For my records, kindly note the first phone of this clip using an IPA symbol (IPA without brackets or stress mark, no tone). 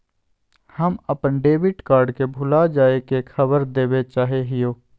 h